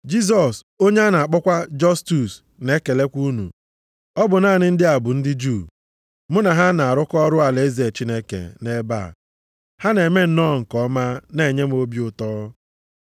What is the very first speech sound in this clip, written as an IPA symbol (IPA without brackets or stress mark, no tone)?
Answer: d͡ʒ